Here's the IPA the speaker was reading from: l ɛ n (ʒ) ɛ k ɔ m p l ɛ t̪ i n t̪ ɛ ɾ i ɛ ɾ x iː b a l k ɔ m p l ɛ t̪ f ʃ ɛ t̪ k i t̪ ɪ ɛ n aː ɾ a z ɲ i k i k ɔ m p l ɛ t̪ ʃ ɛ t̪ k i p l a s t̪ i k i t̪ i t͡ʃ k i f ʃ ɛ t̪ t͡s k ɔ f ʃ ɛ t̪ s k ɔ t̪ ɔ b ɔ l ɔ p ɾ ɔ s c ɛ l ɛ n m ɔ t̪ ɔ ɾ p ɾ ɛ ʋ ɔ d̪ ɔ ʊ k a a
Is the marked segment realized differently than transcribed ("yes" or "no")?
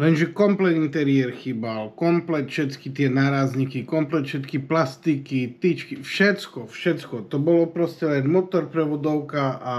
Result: no